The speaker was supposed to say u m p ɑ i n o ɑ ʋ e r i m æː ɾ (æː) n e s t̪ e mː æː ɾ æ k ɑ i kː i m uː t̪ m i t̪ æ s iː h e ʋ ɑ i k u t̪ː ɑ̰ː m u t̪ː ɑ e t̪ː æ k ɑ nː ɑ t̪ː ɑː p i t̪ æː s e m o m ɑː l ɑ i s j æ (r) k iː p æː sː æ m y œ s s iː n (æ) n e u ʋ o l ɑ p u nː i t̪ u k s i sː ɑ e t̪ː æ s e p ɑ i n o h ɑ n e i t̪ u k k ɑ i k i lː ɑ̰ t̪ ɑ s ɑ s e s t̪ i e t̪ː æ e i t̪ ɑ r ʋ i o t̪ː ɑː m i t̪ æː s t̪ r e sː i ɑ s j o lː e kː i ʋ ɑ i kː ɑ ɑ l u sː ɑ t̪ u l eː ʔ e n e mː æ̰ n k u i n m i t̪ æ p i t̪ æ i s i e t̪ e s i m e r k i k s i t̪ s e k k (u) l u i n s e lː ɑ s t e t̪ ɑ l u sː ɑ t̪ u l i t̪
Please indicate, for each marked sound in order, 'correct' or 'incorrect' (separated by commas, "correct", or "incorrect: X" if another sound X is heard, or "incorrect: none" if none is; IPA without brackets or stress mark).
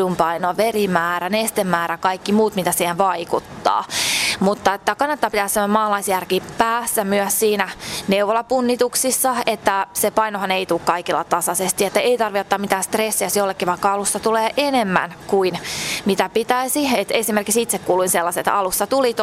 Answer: incorrect: æ, correct, correct, incorrect: uː